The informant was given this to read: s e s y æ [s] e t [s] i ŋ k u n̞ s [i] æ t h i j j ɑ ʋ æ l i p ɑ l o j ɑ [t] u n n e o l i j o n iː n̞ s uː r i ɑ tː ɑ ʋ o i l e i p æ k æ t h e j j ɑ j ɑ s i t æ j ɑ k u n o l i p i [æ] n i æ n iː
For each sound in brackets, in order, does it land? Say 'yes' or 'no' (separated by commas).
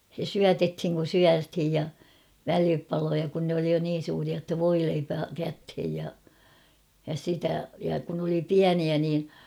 no, no, no, no, yes